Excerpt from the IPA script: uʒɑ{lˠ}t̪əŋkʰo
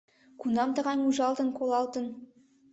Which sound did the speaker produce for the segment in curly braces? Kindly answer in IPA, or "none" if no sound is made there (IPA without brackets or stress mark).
lˠ